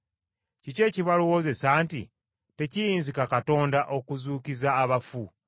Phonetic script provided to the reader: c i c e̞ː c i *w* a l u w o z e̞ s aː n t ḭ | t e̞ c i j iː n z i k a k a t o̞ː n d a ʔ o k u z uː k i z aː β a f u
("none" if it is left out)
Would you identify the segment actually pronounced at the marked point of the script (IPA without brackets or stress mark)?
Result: β